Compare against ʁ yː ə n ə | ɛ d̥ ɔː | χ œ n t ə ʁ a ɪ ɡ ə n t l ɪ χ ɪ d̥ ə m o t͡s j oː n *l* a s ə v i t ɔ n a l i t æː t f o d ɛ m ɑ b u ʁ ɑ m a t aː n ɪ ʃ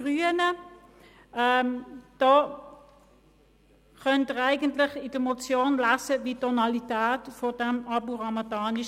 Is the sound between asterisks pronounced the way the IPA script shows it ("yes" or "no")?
yes